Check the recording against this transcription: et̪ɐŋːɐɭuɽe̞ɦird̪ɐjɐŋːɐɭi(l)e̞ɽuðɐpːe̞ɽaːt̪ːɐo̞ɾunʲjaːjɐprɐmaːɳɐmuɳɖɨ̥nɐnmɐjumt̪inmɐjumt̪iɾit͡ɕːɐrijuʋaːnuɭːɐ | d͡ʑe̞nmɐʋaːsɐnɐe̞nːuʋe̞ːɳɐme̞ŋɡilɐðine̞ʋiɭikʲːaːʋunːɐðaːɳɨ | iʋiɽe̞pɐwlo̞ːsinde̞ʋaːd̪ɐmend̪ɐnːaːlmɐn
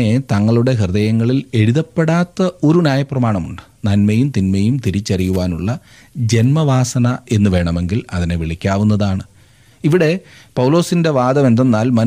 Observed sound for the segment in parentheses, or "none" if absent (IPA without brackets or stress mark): l